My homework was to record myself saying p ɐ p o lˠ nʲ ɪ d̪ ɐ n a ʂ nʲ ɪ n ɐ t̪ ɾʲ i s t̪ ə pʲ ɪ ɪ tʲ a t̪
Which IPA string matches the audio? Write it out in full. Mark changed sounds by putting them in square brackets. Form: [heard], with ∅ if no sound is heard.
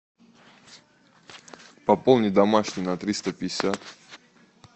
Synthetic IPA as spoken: p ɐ p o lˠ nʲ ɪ d̪ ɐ [m] a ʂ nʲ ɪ n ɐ t̪ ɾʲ i s t̪ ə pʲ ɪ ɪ [sʲ] a t̪